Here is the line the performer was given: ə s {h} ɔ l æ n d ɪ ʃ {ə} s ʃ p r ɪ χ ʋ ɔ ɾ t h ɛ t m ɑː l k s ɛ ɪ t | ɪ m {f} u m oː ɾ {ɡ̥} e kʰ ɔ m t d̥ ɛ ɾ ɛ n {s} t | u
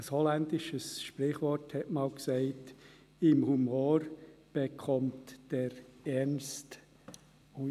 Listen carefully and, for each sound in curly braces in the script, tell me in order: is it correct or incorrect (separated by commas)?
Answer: correct, correct, incorrect, incorrect, correct